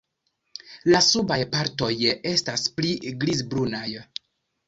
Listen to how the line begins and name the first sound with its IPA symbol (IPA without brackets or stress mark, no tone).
l